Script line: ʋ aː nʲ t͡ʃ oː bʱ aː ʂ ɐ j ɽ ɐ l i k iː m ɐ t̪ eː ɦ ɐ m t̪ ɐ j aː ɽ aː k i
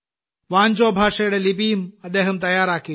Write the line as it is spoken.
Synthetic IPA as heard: ʋ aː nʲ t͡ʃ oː bʱ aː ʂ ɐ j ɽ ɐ l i p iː m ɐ d̪ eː ɦ ɐ m t̪ ɐ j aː ɾ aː k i